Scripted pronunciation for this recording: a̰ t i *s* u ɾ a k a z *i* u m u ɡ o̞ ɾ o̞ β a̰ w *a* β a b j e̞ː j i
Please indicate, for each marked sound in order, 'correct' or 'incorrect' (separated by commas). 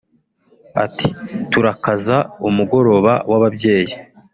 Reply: incorrect, incorrect, correct